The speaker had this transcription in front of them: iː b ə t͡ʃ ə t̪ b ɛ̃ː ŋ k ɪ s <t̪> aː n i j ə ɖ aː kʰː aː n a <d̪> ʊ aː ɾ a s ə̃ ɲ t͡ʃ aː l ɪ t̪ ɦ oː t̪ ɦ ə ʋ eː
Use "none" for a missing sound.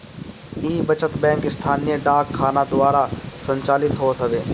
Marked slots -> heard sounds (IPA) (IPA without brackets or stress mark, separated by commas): t̪ʰ, d̪